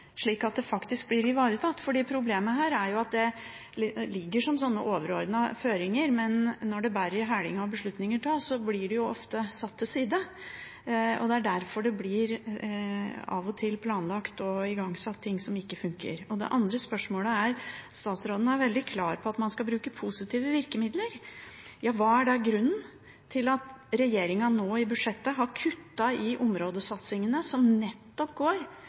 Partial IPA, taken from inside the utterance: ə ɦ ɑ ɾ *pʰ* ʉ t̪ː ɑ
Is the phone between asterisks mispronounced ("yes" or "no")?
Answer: yes